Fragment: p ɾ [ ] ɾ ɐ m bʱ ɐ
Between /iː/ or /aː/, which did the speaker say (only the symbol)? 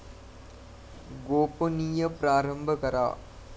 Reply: aː